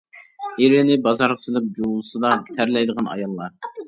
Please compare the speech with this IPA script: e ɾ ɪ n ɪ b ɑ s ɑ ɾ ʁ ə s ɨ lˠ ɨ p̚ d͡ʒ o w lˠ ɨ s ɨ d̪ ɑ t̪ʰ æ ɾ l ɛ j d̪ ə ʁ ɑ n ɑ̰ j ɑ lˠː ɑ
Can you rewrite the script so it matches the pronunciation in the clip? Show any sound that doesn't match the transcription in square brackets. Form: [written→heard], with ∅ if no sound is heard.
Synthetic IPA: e ɾ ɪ n ɪ b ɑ [s→z] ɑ ɾ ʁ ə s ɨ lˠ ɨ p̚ d͡ʒ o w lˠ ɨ s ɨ d̪ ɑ t̪ʰ æ ɾ l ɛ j d̪ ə ʁ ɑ n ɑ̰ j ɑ lˠː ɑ

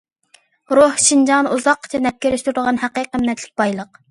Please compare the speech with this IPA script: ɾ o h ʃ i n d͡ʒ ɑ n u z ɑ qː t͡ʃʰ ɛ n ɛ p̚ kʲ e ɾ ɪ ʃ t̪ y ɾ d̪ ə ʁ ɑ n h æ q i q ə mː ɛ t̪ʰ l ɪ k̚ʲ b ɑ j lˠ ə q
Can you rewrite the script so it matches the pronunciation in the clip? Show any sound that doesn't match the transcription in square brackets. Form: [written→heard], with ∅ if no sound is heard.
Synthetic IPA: ɾ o h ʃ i n d͡ʒ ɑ n u z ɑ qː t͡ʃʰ ɛ n ɛ p̚ kʲ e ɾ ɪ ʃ t̪ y ɾ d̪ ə ʁ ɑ n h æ q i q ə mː ɛ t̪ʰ l ɪ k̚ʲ b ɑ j lˠ ə q

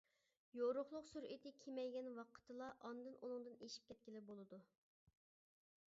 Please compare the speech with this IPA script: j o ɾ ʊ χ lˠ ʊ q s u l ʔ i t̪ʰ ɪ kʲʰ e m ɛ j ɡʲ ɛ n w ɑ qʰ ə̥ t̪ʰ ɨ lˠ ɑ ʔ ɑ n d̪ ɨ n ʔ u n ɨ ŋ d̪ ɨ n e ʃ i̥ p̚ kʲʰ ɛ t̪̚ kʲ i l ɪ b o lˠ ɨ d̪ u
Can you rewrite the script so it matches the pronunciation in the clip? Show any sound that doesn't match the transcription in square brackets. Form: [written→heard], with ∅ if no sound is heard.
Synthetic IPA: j o ɾ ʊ χ lˠ ʊ q s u [l→ɾ] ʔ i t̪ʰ ɪ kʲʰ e m ɛ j ɡʲ ɛ n w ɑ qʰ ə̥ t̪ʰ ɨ lˠ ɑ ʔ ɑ n d̪ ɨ n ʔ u n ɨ ŋ d̪ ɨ n e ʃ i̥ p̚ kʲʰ ɛ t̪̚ kʲ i l ɪ b o lˠ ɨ d̪ u

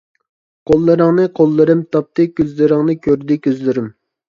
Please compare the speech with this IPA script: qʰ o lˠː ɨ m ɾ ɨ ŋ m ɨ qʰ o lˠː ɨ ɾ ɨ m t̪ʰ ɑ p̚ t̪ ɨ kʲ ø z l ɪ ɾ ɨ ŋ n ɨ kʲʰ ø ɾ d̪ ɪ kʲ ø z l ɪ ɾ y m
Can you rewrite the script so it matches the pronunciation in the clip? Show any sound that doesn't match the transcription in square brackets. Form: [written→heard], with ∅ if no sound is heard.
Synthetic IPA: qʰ o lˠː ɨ [m→∅] ɾ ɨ ŋ [m→n] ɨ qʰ o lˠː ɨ ɾ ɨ m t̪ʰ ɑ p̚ t̪ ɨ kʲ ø z l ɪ ɾ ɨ ŋ n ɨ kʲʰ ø ɾ d̪ ɪ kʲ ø z l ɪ ɾ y m

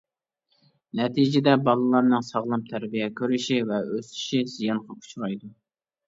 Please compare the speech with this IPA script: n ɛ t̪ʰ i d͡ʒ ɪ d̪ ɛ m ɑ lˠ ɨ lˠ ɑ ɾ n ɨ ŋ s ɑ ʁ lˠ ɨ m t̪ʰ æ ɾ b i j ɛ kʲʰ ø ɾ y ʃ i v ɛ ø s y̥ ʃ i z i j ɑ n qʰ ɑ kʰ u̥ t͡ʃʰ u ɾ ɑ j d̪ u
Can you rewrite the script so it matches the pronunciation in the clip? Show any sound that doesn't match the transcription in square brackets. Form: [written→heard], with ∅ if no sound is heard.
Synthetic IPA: n ɛ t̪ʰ i d͡ʒ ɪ d̪ ɛ [m→b] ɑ lˠ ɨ lˠ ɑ ɾ n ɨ ŋ s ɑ ʁ lˠ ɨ m t̪ʰ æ ɾ b i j ɛ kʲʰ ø ɾ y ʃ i v ɛ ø s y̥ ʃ i z i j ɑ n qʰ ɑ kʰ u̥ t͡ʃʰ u ɾ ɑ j d̪ u

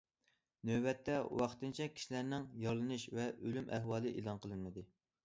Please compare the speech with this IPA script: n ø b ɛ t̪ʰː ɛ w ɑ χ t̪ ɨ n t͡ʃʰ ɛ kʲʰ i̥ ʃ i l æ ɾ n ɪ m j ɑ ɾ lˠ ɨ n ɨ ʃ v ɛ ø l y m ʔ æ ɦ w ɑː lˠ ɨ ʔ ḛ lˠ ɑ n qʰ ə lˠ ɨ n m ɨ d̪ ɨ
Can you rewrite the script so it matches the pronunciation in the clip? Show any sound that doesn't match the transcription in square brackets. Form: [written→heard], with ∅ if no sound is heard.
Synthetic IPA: n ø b ɛ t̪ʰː ɛ w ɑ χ t̪ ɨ n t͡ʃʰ ɛ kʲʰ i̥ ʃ i l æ ɾ n ɪ [m→ŋ] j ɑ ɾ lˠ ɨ n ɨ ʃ v ɛ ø l y m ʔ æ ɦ w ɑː lˠ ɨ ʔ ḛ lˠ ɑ n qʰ ə lˠ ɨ n m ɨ d̪ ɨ

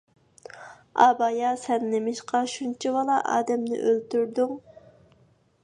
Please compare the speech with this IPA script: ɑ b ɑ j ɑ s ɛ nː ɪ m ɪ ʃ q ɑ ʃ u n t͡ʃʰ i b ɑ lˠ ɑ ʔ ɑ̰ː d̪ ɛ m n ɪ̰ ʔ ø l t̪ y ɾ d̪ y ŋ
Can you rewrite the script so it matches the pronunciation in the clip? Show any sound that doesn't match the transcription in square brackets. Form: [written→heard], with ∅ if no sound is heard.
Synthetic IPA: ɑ b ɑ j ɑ s ɛ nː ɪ m ɪ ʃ q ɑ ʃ u n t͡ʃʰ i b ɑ lˠ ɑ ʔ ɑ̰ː d̪ ɛ m n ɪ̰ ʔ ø l t̪ y ɾ d̪ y ŋ

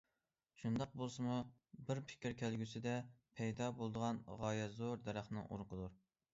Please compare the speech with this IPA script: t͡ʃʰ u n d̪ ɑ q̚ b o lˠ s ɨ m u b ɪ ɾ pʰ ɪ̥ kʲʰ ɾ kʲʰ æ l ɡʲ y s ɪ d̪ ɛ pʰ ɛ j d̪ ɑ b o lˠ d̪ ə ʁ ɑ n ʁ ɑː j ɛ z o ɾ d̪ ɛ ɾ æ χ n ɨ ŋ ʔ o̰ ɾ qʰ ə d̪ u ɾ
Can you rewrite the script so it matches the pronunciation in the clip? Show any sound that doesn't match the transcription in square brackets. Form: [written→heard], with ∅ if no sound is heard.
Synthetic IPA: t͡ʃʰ u n d̪ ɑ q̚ b o lˠ s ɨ m u b ɪ ɾ pʰ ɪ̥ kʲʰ ɾ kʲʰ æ l ɡʲ y s ɪ d̪ ɛ pʰ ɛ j d̪ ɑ b o lˠ d̪ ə ʁ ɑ n ʁ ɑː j ɛ z o ɾ d̪ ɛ ɾ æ χ n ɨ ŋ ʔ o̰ ɾ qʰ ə d̪ u ɾ

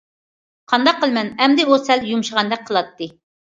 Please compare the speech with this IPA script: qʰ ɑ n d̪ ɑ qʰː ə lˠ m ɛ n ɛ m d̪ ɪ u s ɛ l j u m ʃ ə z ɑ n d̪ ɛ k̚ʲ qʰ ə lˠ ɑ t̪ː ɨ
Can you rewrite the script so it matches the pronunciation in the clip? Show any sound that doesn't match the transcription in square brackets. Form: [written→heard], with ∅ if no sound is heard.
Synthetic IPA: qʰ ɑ n d̪ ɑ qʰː ə lˠ m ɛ n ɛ m d̪ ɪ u s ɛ l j u m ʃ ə [z→ʁ] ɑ n d̪ ɛ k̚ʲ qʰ ə lˠ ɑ t̪ː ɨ

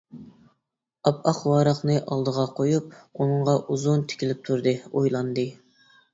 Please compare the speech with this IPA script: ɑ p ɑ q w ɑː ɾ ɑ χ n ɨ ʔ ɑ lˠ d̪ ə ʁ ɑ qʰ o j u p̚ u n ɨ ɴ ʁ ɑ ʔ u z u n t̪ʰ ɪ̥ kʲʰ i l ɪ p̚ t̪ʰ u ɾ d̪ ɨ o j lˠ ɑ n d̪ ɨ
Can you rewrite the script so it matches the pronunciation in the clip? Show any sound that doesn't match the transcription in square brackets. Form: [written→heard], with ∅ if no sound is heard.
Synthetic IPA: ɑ p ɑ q w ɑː ɾ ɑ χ n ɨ ʔ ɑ lˠ d̪ ə ʁ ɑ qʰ o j u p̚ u n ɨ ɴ ʁ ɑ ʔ u z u n t̪ʰ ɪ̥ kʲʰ i l ɪ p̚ t̪ʰ u ɾ d̪ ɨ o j lˠ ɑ n d̪ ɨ

